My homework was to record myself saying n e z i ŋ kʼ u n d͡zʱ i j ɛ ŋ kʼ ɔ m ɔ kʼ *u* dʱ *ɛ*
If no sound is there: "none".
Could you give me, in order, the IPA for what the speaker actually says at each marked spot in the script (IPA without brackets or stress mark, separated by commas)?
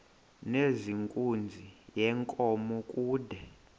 uː, ɛ